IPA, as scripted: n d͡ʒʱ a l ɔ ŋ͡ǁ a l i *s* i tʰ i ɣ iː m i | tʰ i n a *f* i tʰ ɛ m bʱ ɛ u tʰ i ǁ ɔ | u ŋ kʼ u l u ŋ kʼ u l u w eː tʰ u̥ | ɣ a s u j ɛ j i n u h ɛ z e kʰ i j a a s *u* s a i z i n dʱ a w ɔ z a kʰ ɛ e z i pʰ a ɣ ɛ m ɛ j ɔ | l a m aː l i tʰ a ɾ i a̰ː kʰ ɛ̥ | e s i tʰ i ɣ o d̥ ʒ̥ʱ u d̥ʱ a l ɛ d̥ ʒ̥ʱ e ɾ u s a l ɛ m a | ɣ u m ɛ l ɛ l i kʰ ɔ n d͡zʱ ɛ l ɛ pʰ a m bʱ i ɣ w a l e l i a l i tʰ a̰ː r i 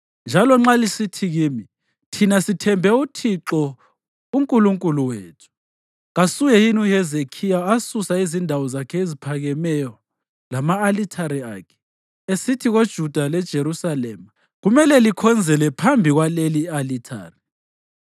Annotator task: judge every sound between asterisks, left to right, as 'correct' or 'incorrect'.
correct, incorrect: s, correct

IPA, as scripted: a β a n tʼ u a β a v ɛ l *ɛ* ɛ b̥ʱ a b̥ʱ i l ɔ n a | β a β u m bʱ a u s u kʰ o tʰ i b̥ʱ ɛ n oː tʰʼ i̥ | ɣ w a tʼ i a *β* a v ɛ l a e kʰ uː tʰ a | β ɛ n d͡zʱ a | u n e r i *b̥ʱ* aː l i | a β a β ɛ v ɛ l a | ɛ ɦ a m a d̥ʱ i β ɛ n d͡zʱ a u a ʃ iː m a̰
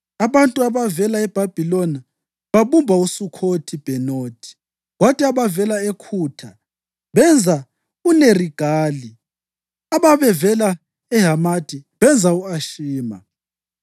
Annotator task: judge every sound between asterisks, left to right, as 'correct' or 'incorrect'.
incorrect: a, correct, incorrect: ɡ̥ʱ

